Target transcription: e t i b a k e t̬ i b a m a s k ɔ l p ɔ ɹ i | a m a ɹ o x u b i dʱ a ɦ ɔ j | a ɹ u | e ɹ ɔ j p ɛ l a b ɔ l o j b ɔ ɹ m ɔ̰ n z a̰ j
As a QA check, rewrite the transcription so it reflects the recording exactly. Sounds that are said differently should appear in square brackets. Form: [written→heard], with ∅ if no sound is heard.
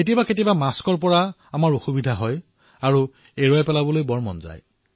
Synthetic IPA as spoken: e t i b a k e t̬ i b a m a s k ɔ [l→ɹ] p ɔ ɹ [i→a] | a m a ɹ o x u b i dʱ a ɦ ɔ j | a ɹ u | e ɹ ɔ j p ɛ l a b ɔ l o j b ɔ ɹ m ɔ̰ n z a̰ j